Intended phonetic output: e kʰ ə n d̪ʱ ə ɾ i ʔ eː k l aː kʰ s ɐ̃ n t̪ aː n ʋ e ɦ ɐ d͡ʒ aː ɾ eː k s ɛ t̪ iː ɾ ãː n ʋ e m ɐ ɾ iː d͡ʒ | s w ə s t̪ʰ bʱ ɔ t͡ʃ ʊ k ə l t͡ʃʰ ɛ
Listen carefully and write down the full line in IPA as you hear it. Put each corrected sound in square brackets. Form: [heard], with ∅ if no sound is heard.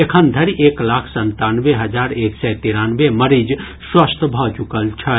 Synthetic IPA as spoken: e kʰ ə n d̪ʱ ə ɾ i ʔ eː k l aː kʰ s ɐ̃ n t̪ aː n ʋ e ɦ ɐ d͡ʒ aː ɾ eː k s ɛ t̪ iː ɾ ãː n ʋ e m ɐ ɾ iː d͡ʒ | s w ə s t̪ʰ bʱ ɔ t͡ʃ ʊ k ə l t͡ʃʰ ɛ